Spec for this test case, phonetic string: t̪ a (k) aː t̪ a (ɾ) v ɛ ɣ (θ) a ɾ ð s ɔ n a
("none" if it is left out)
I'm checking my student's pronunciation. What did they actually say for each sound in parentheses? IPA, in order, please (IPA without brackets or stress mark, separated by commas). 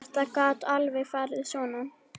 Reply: k, l, f